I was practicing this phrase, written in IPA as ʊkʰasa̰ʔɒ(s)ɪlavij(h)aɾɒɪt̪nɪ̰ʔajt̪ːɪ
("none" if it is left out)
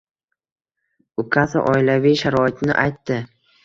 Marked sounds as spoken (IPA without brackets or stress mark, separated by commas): none, ʃ